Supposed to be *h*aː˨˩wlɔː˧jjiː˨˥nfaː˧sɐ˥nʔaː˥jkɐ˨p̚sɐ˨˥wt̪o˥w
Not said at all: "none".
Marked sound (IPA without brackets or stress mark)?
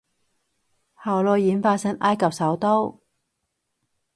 h